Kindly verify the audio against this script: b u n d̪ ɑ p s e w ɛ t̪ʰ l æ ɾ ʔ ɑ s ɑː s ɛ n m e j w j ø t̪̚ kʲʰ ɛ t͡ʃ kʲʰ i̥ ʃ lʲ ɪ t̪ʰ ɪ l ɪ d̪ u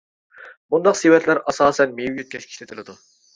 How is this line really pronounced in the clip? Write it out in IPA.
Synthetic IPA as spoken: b u n d̪ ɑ q s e w ɛ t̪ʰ l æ ɾ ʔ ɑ s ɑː s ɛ n m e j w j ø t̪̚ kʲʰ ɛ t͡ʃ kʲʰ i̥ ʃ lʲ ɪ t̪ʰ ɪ l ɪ d̪ u